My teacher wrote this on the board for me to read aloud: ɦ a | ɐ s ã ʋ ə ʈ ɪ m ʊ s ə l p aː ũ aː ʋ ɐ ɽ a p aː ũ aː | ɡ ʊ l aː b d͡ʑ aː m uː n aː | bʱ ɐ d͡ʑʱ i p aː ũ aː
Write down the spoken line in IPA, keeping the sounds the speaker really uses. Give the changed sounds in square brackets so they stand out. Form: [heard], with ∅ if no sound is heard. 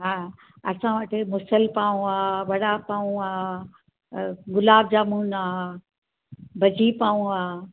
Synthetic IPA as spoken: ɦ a | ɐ s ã ʋ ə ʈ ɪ m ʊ s ə l p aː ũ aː ʋ ɐ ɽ a p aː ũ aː | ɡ ʊ l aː b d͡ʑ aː m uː n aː | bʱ ɐ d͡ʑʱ i p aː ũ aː